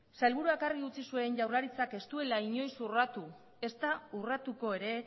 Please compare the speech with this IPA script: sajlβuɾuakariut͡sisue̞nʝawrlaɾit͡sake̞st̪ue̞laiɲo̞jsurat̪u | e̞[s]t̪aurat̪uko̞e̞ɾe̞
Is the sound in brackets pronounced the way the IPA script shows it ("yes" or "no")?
yes